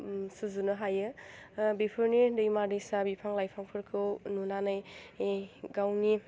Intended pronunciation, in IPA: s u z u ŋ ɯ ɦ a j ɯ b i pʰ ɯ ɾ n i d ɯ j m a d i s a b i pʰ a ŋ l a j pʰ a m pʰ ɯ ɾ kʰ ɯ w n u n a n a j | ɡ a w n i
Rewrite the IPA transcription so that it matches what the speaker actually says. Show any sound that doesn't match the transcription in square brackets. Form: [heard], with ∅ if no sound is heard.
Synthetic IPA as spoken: s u z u [n] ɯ ɦ a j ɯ b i pʰ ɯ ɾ n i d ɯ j m a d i s a b i pʰ a ŋ l a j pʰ a [ŋ] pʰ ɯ ɾ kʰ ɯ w n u n a n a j | ɡ a w n i